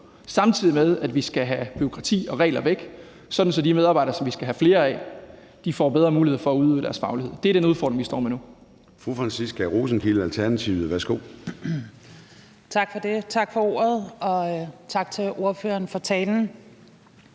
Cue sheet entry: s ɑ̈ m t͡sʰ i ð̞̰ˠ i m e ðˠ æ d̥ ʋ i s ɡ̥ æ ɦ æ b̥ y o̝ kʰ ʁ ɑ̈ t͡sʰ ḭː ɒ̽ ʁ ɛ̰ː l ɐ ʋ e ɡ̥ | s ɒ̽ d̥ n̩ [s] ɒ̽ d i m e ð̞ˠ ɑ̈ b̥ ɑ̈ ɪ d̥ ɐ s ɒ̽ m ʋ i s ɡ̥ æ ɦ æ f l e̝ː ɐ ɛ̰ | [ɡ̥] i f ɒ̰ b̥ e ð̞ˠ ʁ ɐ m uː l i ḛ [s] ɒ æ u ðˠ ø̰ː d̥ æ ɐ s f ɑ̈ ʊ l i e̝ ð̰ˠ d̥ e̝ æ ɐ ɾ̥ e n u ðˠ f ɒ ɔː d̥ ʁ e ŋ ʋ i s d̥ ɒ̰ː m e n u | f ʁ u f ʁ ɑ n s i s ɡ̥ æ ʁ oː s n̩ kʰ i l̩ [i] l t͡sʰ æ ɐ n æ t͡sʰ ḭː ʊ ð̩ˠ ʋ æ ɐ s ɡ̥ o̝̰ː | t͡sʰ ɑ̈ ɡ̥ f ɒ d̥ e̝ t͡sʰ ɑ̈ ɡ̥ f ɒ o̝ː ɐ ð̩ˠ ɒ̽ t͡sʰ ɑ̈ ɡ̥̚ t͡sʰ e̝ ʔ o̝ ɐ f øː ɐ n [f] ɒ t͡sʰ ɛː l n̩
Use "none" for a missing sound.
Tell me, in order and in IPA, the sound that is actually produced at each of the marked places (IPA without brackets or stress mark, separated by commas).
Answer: s, d̥, f, æ, f